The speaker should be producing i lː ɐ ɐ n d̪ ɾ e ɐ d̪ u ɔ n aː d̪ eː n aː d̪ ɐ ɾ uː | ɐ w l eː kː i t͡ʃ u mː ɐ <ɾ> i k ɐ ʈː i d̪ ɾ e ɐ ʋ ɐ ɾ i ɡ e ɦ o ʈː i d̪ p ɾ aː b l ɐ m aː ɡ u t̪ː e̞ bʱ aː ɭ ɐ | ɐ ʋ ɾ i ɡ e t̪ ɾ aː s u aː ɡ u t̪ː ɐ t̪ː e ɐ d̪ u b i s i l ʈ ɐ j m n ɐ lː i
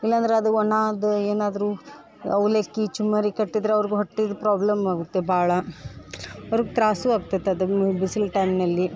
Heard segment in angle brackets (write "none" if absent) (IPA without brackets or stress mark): ɾ